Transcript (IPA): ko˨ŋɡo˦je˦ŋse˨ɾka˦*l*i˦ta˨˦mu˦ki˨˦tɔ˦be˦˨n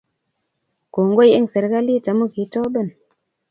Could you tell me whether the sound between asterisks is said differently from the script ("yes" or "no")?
no